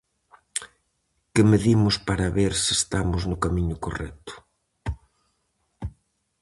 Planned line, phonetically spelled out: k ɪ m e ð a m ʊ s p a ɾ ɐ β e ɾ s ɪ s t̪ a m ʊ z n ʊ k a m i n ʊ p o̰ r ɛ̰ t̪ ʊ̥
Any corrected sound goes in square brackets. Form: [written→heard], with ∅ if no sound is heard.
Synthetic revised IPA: k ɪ m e ð [a→i] m ʊ s p a ɾ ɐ β e ɾ s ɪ s t̪ a m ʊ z n ʊ k a m i [n→ɲ] ʊ [p→k] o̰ r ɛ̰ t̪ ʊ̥